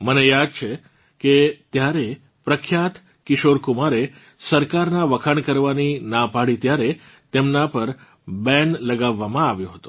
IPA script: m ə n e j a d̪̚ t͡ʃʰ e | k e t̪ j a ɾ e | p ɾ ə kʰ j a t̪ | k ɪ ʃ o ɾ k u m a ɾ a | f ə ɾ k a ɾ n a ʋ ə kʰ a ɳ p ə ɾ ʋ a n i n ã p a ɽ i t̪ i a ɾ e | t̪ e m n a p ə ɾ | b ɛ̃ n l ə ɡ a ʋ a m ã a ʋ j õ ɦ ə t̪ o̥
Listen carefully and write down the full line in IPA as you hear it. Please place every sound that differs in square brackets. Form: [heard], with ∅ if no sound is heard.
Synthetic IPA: m ə n e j a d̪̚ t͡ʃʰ e | k e t̪ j a ɾ e | p ɾ ə kʰ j a t̪ | k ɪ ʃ o ɾ k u m a ɾ [e] | [s] ə ɾ k a ɾ n a ʋ ə kʰ a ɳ [k] ə ɾ ʋ a n i n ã p a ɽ i t̪ [j] a ɾ e | t̪ e m n a p ə ɾ | b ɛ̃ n l ə ɡ a [ʋː] a m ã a ʋ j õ ɦ ə t̪ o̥